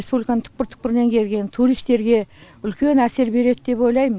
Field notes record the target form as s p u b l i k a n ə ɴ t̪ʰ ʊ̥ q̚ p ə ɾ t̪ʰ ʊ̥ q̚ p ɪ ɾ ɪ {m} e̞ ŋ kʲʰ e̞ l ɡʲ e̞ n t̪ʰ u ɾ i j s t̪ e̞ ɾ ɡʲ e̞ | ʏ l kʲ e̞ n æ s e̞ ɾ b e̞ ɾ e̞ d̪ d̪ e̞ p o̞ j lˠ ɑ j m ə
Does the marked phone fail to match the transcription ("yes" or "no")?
yes